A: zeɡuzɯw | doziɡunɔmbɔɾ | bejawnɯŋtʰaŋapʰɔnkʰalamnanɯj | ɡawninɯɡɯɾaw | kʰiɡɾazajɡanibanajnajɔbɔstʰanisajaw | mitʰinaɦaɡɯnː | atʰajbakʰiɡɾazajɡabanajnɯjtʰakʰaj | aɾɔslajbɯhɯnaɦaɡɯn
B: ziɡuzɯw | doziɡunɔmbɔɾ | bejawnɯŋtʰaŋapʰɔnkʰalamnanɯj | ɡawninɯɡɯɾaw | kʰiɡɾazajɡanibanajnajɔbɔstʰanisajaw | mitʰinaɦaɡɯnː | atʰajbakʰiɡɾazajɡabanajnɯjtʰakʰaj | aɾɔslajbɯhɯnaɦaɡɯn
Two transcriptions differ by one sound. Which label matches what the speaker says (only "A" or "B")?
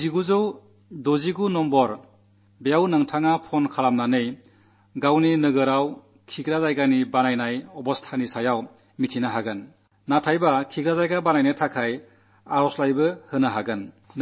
B